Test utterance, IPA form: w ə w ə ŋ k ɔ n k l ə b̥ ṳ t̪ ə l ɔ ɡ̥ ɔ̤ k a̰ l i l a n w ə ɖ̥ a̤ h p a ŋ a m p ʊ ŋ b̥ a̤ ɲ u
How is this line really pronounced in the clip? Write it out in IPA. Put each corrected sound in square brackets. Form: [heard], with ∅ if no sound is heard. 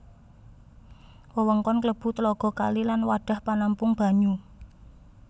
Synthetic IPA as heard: w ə w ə ŋ k ɔ n k l ə b̥ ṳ t̪ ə l ɔ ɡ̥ ɔ̤ k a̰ l i l a n w [a] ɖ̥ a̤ h p a [n] a m p ʊ ŋ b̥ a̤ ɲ u